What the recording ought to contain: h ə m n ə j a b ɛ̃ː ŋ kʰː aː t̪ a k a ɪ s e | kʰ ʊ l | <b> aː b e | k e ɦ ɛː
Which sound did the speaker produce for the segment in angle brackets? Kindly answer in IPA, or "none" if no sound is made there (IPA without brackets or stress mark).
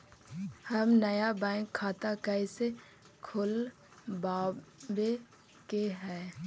b